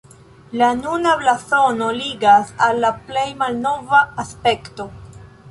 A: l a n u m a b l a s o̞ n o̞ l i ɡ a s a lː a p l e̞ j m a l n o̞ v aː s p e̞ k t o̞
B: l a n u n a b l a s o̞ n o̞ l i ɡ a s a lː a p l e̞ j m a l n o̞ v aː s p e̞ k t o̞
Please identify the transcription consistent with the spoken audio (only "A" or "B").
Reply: B